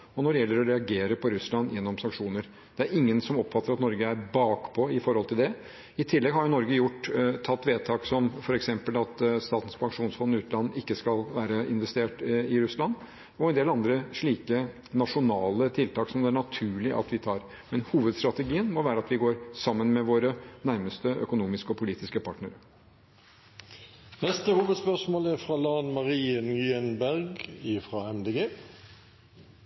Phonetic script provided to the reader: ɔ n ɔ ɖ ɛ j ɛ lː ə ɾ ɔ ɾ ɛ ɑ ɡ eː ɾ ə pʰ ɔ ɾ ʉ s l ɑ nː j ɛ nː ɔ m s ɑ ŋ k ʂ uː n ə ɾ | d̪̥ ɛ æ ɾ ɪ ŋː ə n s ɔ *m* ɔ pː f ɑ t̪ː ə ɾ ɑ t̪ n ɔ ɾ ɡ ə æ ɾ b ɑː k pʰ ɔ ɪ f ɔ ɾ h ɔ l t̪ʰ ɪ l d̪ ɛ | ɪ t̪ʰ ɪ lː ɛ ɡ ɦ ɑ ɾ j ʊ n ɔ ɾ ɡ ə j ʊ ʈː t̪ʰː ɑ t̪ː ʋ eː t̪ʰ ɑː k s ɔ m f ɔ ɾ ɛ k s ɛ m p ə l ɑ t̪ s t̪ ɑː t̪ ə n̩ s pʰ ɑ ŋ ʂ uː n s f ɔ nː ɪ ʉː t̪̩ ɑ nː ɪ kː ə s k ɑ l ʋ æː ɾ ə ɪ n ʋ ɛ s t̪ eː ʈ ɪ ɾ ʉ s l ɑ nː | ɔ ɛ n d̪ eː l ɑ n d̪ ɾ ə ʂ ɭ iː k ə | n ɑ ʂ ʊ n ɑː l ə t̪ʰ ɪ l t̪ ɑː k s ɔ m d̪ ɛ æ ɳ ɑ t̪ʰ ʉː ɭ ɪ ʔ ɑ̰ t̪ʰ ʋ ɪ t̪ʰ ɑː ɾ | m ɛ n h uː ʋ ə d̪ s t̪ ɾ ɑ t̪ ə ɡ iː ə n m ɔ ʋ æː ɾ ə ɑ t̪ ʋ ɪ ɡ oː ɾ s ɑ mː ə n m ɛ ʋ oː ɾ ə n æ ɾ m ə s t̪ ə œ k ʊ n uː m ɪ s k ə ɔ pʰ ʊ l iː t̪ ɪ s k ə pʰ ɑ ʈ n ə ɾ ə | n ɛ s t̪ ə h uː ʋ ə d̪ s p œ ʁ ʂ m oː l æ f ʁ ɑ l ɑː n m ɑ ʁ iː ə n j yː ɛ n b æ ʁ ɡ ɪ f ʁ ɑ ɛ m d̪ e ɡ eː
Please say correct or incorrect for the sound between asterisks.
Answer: correct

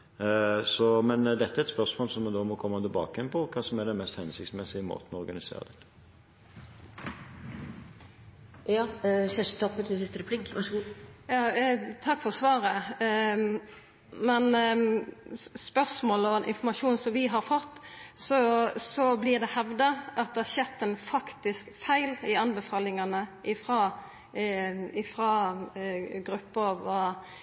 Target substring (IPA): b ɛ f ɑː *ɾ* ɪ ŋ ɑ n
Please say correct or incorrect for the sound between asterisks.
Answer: incorrect: l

